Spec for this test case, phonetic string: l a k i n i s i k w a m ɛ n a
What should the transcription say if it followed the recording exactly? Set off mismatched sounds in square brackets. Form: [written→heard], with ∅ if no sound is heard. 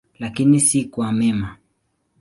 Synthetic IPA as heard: l a k i n i s i k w a m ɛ [n→m] a